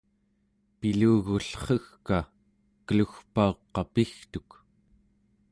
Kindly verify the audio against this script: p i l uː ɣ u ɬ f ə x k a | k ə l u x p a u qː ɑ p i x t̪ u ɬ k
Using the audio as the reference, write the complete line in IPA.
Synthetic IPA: p i l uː ɣ u ɬ χ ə x k a | k ə l u x p a o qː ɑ p i x t̪ u k